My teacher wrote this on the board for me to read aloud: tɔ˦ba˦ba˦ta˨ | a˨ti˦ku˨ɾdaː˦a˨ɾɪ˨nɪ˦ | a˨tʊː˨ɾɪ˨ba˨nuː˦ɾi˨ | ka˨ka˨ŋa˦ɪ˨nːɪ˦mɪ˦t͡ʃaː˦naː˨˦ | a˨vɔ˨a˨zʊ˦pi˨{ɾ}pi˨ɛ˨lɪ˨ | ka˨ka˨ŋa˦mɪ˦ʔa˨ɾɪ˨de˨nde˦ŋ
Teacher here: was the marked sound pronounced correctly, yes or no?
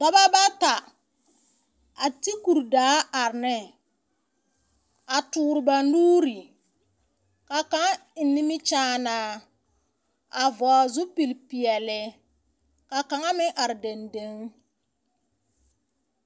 no